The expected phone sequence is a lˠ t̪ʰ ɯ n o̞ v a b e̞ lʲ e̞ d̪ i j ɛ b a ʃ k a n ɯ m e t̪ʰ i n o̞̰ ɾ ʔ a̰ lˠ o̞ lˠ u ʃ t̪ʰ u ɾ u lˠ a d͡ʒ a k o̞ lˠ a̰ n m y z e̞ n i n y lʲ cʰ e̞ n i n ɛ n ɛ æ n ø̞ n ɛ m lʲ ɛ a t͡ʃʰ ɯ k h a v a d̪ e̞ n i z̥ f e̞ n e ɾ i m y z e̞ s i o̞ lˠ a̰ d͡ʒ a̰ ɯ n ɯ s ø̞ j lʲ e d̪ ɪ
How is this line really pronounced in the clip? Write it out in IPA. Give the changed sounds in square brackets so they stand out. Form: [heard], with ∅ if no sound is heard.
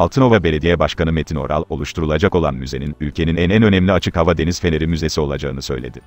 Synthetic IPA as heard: a lˠ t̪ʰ ɯ n o̞ v a b e̞ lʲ e̞ d̪ i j ɛ b a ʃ k a n ɯ m e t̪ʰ i n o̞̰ ɾ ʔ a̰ lˠ o̞ lˠ u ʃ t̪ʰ u ɾ u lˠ a d͡ʒ a k o̞ lˠ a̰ n m y z e̞ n i n y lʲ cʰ e̞ n i n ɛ n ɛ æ n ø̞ n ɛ m lʲ [i] a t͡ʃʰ ɯ k h a v a d̪ e̞ n i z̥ f e̞ n e ɾ i m y z e̞ s i o̞ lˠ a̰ d͡ʒ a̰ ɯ n ɯ s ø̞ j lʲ e d̪ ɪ

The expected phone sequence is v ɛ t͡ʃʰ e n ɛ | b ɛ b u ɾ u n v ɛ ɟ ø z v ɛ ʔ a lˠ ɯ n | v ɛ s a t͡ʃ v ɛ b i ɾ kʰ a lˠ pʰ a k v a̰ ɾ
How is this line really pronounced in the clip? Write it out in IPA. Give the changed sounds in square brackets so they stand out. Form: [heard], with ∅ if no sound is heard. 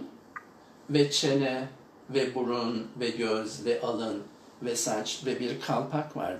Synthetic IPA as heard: v ɛ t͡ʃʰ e n ɛ | [v] ɛ b u ɾ u n v ɛ ɟ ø z v ɛ ʔ a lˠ ɯ n | v ɛ s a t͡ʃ v ɛ b i ɾ kʰ a lˠ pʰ a k v a̰ ɾ

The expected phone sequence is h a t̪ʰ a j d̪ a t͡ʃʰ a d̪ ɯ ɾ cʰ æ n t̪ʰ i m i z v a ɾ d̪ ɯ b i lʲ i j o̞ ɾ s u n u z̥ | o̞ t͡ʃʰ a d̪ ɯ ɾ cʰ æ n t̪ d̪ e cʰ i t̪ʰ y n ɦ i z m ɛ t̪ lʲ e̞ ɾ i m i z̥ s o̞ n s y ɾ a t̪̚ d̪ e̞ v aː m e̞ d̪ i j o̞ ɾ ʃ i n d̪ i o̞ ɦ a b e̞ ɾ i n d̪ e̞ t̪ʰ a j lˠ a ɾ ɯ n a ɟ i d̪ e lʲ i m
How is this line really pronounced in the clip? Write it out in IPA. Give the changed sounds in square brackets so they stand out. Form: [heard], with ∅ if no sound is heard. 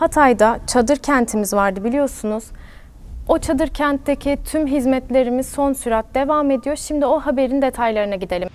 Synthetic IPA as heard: h a t̪ʰ a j d̪ a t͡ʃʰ a d̪ ɯ ɾ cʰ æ n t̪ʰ i m i z v a ɾ d̪ ɯ b i lʲ i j o̞ ɾ s u n u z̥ | o̞ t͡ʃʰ a d̪ ɯ ɾ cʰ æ n t̪ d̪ e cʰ i t̪ʰ y [m] ɦ i z m ɛ t̪ lʲ e̞ ɾ i m i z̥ s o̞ n s y ɾ a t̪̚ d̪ e̞ v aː m e̞ d̪ i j o̞ ɾ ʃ i [m] d̪ i o̞ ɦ a b e̞ ɾ i n d̪ e̞ t̪ʰ a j lˠ a ɾ ɯ n a ɟ i d̪ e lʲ i m

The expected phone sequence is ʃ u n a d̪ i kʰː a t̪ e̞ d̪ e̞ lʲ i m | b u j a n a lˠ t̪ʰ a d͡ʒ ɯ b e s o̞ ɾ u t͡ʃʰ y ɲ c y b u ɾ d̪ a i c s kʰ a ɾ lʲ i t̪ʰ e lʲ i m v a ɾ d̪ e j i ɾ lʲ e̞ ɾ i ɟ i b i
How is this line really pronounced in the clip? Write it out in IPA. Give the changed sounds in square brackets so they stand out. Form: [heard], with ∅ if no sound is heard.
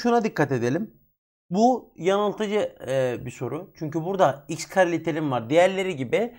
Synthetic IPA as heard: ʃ u n a d̪ i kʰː a t̪ e̞ d̪ e̞ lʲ i m | b u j a n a lˠ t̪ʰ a d͡ʒ ɯ b [i] s o̞ ɾ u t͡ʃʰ y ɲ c y b u ɾ d̪ a i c s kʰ a ɾ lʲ i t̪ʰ e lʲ i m v a ɾ d̪ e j [æ] ɾ lʲ e̞ ɾ i ɟ i b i

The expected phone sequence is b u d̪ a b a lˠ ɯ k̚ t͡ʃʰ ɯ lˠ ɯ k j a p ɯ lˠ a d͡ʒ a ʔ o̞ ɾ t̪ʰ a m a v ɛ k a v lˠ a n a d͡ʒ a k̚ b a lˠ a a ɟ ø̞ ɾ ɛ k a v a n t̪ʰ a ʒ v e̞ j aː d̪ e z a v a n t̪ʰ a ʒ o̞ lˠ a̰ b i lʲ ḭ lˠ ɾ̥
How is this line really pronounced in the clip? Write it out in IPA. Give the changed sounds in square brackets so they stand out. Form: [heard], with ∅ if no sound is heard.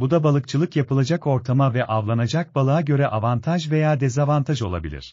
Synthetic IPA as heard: b u d̪ a b a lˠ ɯ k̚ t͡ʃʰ ɯ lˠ ɯ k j a p ɯ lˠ a d͡ʒ a [k] o̞ ɾ t̪ʰ a m a v ɛ [ʔ] a v lˠ a n a d͡ʒ a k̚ b a lˠ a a ɟ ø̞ ɾ ɛ [ʔ] a v a n t̪ʰ a ʒ v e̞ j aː d̪ e z a v a n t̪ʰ a ʒ o̞ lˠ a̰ b i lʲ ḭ [∅] ɾ̥

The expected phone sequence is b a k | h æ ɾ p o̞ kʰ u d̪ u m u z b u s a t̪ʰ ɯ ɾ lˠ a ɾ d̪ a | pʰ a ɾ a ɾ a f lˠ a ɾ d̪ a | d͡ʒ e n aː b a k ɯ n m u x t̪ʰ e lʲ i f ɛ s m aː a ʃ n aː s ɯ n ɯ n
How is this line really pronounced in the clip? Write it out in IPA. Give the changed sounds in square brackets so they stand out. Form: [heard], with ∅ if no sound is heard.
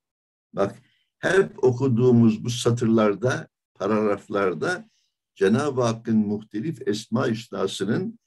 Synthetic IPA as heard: b a k | h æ ɾ p o̞ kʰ u d̪ [uː] m u z b u s a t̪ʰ ɯ ɾ lˠ a ɾ d̪ a | pʰ a ɾ a ɾ a f lˠ a ɾ d̪ a | d͡ʒ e n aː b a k ɯ n m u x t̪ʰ e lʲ i f ɛ s m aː [i] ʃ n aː s ɯ n ɯ n

